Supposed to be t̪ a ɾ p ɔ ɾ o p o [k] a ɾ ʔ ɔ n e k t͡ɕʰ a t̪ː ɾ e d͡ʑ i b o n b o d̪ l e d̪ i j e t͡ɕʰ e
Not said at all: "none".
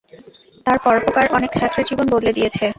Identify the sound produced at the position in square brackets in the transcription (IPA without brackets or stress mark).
k